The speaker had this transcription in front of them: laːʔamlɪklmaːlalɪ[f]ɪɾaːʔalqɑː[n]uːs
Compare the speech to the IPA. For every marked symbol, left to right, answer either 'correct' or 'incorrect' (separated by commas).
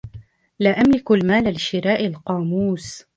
incorrect, incorrect